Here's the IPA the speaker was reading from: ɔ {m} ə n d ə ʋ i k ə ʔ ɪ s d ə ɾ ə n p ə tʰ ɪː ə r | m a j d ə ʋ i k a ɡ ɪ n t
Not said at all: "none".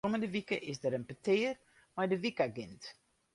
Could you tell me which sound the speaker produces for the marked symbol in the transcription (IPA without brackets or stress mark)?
m